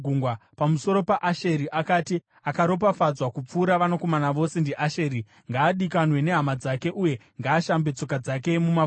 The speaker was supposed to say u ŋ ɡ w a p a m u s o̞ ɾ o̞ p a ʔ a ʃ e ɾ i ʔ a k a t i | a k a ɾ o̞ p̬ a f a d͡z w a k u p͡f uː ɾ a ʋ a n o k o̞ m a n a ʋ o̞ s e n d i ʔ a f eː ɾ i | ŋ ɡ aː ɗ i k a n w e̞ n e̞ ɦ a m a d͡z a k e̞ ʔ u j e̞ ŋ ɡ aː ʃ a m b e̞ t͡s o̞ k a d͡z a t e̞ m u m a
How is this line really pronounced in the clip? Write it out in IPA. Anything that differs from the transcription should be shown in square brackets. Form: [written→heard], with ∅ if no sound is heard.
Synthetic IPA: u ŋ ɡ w a p a m u s o̞ ɾ o̞ p a ʔ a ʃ e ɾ i ʔ a k a t i | a k a ɾ o̞ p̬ a f a d͡z w a k u p͡f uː ɾ a ʋ a n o k o̞ m a n a ʋ o̞ s e n d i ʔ a [f→ʃ] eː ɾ i | ŋ ɡ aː ɗ i k a n w e̞ n e̞ ɦ a m a d͡z a k e̞ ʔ u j e̞ ŋ ɡ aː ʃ a m b e̞ t͡s o̞ k a d͡z a [t→k] e̞ m u m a